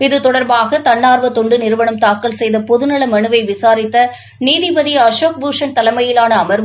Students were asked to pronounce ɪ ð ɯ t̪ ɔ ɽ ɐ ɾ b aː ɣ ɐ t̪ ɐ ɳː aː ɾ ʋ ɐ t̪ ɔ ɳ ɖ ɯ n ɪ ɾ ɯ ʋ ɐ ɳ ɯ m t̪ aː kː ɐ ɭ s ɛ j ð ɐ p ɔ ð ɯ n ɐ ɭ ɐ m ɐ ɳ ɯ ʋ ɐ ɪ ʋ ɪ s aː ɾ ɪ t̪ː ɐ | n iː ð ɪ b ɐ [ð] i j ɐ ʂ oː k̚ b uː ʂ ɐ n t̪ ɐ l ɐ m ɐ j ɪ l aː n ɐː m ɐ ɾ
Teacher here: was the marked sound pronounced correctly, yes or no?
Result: yes